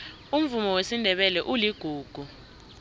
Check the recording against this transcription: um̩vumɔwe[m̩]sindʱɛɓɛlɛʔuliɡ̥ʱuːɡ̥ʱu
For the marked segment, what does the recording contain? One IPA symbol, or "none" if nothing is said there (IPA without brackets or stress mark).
none